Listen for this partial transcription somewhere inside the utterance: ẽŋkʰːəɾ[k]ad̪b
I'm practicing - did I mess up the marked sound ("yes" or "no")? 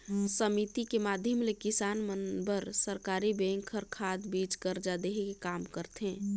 yes